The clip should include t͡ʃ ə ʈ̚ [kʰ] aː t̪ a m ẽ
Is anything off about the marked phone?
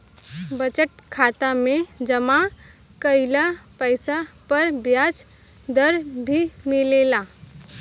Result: no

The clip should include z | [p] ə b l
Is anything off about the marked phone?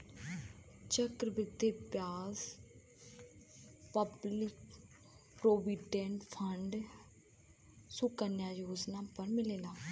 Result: no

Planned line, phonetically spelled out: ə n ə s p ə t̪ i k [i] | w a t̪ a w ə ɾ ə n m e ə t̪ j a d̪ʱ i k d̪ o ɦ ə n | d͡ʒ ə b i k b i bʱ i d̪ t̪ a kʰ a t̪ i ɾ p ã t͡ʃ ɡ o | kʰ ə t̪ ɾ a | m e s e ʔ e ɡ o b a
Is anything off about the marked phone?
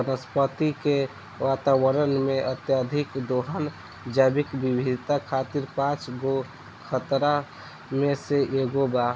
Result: yes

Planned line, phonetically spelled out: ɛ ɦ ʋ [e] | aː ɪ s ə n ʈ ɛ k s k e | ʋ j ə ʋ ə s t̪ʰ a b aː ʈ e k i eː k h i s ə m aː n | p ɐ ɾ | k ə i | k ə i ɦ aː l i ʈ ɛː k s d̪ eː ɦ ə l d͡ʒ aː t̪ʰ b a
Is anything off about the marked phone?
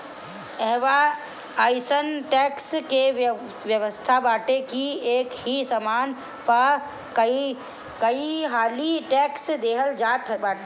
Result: yes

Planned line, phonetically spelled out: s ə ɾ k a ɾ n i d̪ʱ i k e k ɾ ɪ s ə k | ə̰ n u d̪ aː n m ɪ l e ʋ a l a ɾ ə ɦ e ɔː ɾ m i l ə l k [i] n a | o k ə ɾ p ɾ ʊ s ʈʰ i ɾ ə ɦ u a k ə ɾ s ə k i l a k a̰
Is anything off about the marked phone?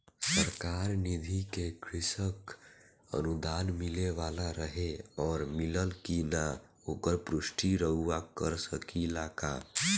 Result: no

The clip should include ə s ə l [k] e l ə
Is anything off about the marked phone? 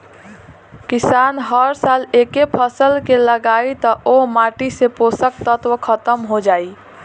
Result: no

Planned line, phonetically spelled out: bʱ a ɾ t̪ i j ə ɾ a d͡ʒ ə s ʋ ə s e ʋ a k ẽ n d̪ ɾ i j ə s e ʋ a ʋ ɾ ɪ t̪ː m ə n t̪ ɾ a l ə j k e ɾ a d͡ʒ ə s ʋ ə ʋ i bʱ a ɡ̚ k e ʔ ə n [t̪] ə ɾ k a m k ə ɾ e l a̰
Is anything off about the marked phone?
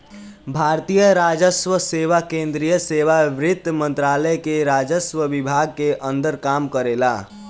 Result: yes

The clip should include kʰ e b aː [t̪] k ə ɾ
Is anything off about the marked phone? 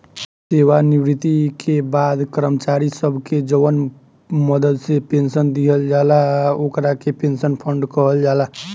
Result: yes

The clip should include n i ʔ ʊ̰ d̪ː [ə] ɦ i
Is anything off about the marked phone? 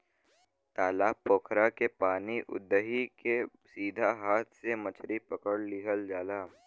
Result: no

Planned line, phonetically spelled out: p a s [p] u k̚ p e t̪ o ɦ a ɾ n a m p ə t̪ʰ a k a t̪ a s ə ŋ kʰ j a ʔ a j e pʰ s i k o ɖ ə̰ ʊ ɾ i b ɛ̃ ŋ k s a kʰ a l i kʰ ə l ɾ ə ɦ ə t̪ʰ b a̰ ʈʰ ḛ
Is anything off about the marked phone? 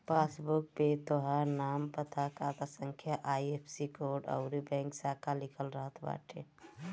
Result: yes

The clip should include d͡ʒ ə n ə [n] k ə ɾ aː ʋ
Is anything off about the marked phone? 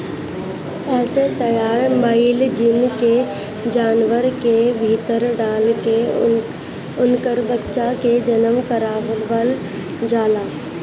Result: yes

